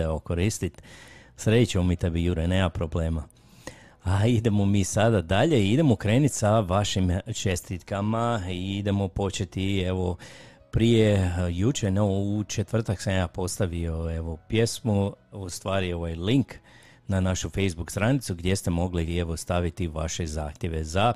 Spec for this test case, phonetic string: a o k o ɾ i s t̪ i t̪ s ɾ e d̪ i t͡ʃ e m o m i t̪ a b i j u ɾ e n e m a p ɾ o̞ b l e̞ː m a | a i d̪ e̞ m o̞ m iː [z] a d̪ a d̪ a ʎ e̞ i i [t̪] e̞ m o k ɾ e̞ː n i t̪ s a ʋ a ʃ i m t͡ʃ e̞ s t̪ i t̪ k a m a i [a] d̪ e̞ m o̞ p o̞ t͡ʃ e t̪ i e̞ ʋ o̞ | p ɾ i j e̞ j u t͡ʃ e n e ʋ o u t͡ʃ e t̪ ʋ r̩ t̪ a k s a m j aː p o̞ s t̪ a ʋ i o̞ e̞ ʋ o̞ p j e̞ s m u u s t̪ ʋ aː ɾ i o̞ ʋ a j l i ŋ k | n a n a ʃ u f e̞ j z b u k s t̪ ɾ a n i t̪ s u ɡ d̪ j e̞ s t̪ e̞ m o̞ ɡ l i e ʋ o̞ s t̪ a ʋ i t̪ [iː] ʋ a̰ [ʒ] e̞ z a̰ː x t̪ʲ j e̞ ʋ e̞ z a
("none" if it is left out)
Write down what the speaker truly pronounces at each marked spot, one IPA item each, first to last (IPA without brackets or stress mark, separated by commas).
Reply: s, d̪, i, i, ʃ